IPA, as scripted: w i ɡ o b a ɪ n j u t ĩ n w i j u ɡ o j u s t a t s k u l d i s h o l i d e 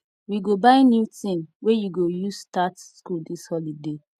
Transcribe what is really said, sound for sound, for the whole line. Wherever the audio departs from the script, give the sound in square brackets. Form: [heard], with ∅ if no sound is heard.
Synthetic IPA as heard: w i ɡ o b a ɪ n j u t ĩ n w [e] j u ɡ o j u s t a t s k u l d i s h [ɔ] l i d e

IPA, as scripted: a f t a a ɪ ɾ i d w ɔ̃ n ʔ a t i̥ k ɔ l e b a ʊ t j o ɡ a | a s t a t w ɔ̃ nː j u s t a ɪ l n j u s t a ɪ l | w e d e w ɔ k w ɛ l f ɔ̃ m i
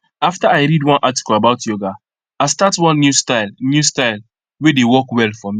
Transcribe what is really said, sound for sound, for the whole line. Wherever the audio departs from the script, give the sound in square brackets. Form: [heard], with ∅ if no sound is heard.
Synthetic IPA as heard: a f t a a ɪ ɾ i d w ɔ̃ n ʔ a t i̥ k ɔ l [a] b a ʊ t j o ɡ a | a s t a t w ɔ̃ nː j u s t a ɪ l n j u s t a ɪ l | w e d e w ɔ k w ɛ l f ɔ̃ m i

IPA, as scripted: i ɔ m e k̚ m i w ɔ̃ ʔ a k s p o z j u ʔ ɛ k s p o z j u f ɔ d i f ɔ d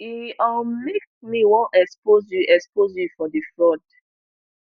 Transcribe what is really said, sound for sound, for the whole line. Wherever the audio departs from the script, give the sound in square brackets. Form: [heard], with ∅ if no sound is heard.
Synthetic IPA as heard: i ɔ m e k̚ m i w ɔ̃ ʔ [ɛ] k s p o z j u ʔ ɛ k s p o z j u f ɔ d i f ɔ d

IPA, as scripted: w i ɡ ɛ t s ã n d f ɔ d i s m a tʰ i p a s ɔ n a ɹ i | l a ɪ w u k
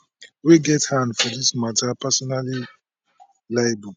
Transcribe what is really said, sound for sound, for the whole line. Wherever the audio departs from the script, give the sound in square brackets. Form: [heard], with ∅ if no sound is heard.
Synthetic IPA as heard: w i ɡ ɛ t [h] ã n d f ɔ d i s m a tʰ [a] p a s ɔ n a [l] i | l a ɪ [b] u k

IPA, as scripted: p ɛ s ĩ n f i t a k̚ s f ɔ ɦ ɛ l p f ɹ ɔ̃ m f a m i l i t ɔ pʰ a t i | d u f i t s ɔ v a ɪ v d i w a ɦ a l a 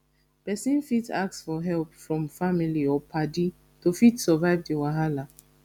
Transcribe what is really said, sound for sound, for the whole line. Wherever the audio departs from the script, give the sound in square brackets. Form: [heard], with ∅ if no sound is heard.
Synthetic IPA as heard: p ɛ s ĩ n f i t a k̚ s f ɔ ɦ ɛ l p f ɹ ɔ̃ m f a m i l i [∅] ɔ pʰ a [d] i | [t] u f i t s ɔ v a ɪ v d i w a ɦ a l a

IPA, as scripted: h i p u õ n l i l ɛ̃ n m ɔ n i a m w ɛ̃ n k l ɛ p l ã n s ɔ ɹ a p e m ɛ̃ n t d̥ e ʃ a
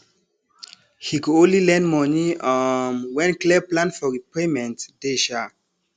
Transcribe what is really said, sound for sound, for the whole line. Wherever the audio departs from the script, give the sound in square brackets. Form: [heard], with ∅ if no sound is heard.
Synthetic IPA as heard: h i [k] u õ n l i l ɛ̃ n m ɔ n i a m w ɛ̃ n k l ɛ p l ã n [f] ɔ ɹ [i] p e m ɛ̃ n t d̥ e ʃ a

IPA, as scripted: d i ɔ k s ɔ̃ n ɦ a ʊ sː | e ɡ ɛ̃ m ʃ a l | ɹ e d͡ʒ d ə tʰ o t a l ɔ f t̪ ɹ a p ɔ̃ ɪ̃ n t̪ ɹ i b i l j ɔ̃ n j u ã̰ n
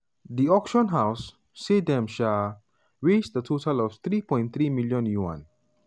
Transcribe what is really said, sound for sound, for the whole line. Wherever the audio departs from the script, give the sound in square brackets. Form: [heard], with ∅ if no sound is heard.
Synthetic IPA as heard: d i ɔ k [ʃ] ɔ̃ n ɦ a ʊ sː | e [d] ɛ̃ m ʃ a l | ɹ e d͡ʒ d ə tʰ o t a l ɔ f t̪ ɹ [i] p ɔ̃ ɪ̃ n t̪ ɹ i [m] i l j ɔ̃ n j u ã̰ n

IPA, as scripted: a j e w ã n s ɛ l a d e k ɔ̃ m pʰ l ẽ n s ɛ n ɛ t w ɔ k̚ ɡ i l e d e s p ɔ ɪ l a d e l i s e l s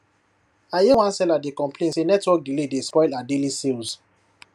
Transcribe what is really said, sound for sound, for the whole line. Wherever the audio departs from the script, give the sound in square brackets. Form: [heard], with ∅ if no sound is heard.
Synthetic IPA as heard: a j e w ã n s ɛ l a d e k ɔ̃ m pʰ l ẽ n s [e] n ɛ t w ɔ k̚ ɡ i l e d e s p ɔ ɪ l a d e l i s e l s

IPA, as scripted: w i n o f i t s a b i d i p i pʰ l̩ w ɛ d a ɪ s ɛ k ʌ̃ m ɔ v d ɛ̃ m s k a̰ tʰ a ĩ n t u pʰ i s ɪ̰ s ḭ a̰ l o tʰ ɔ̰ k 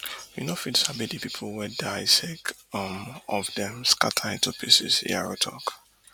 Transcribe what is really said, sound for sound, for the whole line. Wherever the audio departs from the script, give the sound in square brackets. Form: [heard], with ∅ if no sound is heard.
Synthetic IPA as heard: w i n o f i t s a b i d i p i pʰ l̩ w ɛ d a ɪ s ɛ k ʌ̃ m ɔ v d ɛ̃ m s k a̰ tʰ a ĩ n t u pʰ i s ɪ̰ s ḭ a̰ [ɹ] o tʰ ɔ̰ k

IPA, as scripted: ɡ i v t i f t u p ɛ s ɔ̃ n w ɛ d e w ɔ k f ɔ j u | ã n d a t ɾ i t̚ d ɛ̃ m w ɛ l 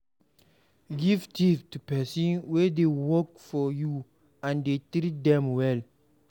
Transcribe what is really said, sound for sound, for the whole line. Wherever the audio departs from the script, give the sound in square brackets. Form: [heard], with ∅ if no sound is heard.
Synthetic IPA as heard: ɡ i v t i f t u p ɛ s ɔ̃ n w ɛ d e w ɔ k f ɔ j u | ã n d [e] t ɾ i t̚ d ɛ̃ m w ɛ l

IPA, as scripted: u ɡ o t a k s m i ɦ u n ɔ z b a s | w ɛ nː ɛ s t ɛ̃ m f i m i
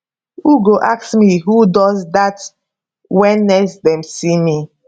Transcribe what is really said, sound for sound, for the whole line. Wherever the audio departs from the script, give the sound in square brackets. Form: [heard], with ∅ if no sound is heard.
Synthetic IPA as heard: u ɡ o [ʔ] a k s m i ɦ u [d] ɔ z [d] a [t] | w ɛ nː ɛ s [d] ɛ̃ m [s] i m i

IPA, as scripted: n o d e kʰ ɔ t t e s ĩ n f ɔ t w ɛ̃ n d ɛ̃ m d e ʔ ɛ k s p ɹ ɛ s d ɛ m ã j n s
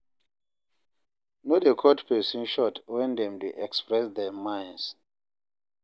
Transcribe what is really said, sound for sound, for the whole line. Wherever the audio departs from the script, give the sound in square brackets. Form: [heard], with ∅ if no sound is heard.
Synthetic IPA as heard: n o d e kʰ ɔ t [p] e s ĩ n [ʃ] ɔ t w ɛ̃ n d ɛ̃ m d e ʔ ɛ k s p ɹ ɛ s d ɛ m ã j n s

